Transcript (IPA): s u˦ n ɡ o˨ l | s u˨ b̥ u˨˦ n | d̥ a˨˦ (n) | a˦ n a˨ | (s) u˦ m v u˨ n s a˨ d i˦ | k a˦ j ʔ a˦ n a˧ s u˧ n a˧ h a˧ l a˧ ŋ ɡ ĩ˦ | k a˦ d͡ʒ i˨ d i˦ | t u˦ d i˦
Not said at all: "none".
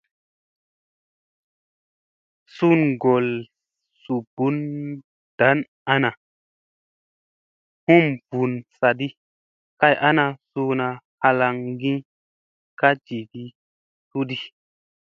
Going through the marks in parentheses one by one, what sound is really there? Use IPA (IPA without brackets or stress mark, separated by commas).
n, h